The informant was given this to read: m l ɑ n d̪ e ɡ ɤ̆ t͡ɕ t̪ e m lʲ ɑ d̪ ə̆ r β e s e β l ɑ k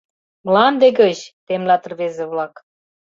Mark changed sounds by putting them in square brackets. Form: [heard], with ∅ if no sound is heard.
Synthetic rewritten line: m l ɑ n d̪ e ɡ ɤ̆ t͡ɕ t̪ e m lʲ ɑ [t̪] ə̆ r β e [z] e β l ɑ k